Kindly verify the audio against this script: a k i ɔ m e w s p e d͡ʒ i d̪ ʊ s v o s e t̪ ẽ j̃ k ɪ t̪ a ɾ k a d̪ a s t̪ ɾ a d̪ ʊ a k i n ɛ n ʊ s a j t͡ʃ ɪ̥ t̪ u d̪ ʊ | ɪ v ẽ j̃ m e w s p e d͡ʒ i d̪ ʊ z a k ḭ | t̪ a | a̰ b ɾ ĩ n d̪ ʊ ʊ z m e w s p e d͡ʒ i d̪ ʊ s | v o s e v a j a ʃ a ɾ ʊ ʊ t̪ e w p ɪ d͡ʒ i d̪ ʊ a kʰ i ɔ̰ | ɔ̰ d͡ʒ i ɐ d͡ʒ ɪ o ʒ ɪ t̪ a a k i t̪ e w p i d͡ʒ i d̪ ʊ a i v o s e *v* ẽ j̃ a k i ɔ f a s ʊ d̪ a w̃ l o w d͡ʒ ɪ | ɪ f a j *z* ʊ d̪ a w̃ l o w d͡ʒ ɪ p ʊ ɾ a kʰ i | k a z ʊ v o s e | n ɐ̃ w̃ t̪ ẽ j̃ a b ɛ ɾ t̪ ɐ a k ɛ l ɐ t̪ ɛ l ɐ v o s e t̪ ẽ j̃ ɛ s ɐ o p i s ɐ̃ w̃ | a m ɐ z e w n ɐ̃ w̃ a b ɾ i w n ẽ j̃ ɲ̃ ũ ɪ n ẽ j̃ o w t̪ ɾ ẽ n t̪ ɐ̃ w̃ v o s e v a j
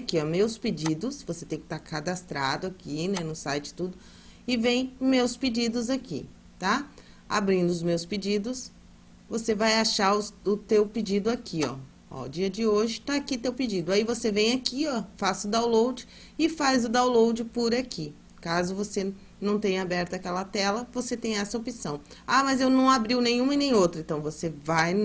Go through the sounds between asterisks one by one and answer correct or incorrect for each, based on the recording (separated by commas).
correct, correct